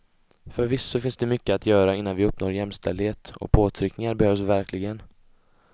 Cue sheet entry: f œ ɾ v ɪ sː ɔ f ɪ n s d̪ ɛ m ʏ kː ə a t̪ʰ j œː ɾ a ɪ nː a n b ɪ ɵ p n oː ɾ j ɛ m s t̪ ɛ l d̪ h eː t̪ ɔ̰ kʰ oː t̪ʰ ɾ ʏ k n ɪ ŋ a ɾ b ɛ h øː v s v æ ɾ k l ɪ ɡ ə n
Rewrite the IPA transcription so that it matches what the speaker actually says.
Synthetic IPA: f œ ɾ v ɪ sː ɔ f ɪ n s d̪ ɛ m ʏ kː ə a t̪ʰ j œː ɾ a ɪ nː a n v ɪ ɵ p n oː ɾ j ɛ m s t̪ ɛ l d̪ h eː t̪ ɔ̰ pʰ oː t̪ʰ ɾ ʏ k n ɪ ŋ a ɾ b ɛ h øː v s v æ ɾ k l ɪ ɡ ə n